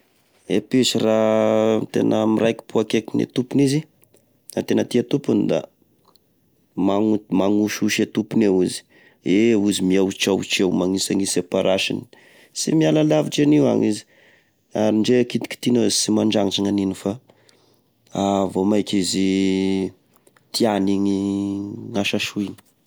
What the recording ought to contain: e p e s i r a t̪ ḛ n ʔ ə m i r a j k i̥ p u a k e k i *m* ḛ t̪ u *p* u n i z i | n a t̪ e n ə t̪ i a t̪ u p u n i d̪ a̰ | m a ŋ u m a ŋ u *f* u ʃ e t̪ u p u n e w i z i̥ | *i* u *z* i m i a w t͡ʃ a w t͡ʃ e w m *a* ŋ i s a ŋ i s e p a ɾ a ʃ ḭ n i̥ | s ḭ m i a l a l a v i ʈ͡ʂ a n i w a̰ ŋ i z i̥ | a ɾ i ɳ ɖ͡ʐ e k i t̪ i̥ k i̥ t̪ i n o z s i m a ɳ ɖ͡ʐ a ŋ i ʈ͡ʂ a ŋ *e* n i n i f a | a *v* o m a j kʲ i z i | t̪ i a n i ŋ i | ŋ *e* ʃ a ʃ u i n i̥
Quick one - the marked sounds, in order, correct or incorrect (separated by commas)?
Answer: incorrect, correct, incorrect, incorrect, correct, correct, incorrect, correct, incorrect